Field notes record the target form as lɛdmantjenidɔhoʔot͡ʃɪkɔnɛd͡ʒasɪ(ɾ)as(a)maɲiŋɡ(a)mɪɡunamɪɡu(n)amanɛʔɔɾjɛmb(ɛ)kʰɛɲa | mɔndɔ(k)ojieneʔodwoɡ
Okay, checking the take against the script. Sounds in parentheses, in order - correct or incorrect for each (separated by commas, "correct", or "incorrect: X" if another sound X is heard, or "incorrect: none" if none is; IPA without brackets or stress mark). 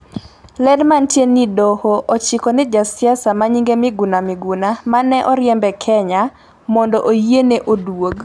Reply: incorrect: none, correct, incorrect: e, correct, correct, incorrect: ʔ